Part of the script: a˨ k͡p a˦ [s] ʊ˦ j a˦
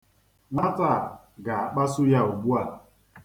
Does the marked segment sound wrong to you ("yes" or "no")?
no